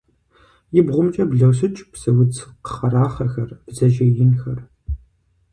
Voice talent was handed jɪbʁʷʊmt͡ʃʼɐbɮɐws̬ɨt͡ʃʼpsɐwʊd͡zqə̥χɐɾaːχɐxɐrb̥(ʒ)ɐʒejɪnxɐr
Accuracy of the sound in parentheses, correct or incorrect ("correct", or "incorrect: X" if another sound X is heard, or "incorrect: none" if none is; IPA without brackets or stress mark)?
incorrect: z